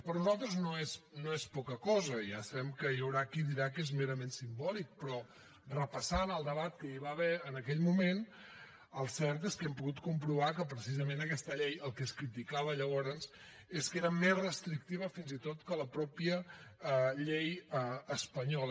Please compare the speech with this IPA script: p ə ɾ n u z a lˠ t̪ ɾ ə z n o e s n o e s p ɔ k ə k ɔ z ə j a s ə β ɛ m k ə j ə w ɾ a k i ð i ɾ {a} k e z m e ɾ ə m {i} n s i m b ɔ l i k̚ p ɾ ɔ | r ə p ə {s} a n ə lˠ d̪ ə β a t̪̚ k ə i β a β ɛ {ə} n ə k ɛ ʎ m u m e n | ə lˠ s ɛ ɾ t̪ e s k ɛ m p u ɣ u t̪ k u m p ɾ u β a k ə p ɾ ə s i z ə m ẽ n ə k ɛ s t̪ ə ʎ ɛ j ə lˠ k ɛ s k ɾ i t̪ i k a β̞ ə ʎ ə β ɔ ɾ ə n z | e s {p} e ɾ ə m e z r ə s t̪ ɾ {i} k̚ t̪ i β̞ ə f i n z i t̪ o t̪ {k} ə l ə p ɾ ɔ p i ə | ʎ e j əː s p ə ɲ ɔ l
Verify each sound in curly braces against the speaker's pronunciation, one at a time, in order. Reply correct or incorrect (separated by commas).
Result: correct, incorrect, correct, correct, incorrect, correct, correct